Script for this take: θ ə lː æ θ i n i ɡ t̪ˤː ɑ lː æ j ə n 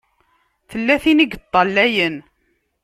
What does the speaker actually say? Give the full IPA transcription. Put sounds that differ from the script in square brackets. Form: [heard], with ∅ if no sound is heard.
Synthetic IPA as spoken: θ ə lː æ θ i n i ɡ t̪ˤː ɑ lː æ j ə n